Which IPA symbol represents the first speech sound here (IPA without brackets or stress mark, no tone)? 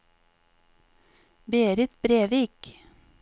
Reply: b